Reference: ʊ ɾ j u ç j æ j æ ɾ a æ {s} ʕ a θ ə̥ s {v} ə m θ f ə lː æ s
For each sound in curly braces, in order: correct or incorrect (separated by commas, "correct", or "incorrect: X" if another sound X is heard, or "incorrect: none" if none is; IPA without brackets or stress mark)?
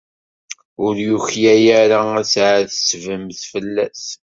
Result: correct, correct